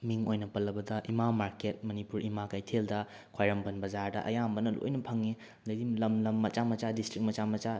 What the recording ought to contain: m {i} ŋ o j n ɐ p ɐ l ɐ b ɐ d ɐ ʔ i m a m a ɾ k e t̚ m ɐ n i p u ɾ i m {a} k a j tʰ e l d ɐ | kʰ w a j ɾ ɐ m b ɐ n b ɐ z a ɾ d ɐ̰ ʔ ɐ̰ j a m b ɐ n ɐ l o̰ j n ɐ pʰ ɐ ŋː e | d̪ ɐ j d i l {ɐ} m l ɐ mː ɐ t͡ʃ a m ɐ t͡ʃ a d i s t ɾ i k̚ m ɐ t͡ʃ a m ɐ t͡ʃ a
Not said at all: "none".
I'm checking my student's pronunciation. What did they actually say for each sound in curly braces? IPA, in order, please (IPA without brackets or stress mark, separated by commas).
i, a, ɐ